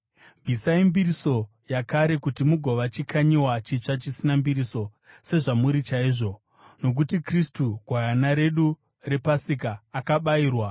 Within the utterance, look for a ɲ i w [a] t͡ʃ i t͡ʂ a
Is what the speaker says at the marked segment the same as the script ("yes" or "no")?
yes